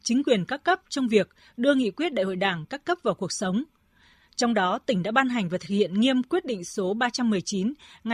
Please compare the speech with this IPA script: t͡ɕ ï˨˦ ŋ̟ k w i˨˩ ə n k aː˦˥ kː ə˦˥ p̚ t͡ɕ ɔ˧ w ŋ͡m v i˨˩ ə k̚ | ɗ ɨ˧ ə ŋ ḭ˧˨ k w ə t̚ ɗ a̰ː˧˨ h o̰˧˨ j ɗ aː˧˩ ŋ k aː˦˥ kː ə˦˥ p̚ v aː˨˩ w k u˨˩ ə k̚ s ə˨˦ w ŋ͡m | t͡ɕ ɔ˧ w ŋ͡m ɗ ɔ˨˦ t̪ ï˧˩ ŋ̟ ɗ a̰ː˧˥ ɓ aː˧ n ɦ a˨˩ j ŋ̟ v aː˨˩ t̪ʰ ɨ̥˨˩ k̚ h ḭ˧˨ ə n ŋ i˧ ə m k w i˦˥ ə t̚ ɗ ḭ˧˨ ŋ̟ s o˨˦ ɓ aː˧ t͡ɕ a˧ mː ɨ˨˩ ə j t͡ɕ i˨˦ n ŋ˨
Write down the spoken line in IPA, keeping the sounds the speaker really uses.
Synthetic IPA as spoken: t͡ɕ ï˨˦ ŋ̟ k w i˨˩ ə n k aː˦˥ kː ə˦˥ p̚ t͡ɕ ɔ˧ w ŋ͡m v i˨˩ ə k̚ | ɗ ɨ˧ ə ŋ ḭ˧˨ k w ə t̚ ɗ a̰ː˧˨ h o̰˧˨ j ɗ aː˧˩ ŋ k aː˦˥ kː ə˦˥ p̚ v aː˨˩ w k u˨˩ ə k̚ s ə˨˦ w ŋ͡m | t͡ɕ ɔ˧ w ŋ͡m ɗ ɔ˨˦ t̪ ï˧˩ ŋ̟ ɗ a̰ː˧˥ ɓ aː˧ n ɦ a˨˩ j ŋ̟ v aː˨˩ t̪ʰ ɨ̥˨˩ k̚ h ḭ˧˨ ə n ŋ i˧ ə m k w i˦˥ ə t̚ ɗ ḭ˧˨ ŋ̟ s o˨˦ ɓ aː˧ t͡ɕ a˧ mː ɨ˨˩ ə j t͡ɕ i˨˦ n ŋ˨